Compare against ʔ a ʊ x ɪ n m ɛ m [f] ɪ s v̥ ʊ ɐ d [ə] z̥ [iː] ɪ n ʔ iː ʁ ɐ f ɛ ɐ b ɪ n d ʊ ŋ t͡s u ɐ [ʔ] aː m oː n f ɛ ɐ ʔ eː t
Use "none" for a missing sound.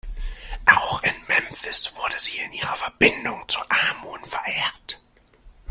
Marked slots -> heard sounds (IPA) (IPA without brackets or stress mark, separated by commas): f, ə, iː, ʔ